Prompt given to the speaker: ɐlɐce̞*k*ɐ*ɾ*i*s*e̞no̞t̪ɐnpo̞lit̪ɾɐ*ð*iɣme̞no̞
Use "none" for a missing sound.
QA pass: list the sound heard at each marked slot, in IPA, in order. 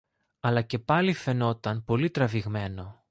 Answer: p, l, f, v

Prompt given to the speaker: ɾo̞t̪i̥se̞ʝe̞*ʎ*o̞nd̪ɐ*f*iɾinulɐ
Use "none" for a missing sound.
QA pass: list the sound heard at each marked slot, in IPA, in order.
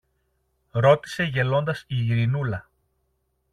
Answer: l, s

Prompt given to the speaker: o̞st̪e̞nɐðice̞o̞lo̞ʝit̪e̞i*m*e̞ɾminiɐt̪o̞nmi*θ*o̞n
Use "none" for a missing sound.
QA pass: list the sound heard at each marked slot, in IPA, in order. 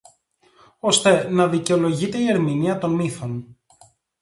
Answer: none, θ

